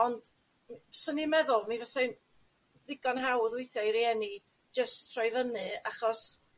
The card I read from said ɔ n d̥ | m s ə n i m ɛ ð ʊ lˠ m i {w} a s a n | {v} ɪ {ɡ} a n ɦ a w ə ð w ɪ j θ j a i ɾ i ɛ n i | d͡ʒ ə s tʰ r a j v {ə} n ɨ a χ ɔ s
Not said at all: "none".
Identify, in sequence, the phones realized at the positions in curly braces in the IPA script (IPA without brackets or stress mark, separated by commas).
v, ð, ɡ, ə